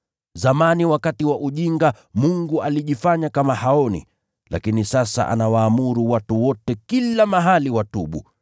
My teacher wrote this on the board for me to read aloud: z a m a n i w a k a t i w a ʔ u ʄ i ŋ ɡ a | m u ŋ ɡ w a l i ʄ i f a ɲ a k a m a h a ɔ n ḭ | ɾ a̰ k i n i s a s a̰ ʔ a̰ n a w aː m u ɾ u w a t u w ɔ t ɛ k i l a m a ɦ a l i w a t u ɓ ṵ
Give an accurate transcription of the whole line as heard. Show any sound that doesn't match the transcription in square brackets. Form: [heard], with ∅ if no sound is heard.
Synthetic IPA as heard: z a m a n i w a k a t i w a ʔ u ʄ i ŋ ɡ a | m u ŋ ɡ [u] a l i ʄ i f a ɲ a k a m a h a ɔ n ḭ | [l] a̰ k i n i s a s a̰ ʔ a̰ n a w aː m u ɾ u w a t u w ɔ t ɛ k i l a m a ɦ a l i w a t u ɓ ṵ